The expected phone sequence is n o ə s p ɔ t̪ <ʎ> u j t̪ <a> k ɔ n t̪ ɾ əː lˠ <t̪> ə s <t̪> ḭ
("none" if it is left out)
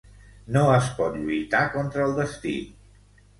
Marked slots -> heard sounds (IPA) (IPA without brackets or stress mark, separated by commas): ʎ, a, d̪, t̪